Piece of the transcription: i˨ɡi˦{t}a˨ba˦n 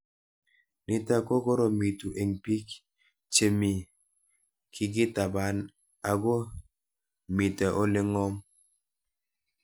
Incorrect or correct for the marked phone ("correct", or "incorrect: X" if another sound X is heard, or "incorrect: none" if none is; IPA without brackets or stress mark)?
correct